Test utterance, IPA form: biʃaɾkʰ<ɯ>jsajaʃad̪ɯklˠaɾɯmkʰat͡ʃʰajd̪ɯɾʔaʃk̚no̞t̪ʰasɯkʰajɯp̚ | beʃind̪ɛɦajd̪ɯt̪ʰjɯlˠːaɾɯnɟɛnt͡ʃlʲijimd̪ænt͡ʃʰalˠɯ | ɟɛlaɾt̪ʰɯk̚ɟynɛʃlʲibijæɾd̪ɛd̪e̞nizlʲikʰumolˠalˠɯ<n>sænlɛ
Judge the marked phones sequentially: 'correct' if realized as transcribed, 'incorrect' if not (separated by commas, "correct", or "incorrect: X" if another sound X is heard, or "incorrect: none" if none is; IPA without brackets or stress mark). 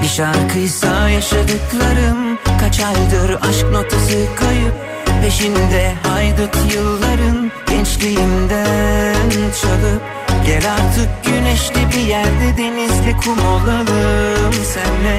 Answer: correct, incorrect: m